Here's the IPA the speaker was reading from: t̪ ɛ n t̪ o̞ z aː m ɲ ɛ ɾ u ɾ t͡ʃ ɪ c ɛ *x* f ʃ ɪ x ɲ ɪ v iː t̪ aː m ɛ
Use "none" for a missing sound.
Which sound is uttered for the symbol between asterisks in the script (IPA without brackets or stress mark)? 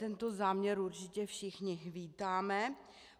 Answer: none